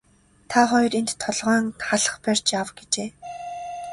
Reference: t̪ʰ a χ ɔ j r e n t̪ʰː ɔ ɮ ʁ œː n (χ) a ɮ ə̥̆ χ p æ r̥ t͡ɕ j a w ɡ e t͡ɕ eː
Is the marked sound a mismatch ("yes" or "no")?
no